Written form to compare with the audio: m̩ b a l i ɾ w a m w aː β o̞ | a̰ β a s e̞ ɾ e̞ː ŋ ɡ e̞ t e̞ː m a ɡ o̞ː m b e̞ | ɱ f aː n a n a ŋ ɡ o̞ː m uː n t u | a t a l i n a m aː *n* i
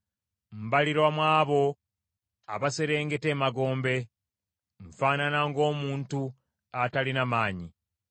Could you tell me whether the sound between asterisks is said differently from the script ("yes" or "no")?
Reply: yes